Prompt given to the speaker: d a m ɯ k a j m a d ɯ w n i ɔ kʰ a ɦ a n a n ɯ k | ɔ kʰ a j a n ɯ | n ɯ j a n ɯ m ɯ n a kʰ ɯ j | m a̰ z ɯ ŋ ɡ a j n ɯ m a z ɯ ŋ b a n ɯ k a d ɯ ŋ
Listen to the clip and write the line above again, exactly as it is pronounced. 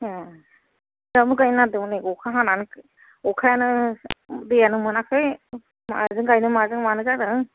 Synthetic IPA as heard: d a m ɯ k a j n a d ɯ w n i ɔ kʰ a ɦ a n a n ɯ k | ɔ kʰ a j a n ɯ | d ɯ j a n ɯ m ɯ n a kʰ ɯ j | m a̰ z ɯ ŋ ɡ a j n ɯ m a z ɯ ŋ m a n ɯ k a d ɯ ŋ